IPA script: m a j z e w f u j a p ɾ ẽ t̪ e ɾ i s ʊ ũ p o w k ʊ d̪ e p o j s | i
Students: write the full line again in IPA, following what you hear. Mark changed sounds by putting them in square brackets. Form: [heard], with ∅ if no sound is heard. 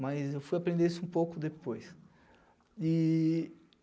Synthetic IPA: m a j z e w f u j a p ɾ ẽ [d̪] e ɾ i s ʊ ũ p o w k ʊ d̪ e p o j s | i